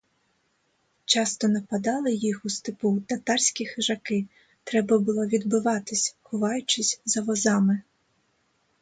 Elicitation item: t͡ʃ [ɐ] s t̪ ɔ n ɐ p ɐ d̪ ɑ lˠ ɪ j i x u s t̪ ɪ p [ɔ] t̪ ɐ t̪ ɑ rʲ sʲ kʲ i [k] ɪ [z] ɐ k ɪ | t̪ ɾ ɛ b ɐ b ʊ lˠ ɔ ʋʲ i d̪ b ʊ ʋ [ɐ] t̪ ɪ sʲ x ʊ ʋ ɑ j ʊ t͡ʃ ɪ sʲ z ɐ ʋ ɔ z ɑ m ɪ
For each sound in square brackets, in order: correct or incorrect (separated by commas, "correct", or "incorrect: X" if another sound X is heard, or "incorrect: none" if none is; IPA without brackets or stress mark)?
incorrect: ɑ, incorrect: u, incorrect: x, incorrect: ʒ, incorrect: ɑ